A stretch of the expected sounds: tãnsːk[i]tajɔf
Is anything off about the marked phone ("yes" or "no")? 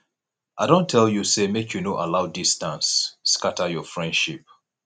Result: yes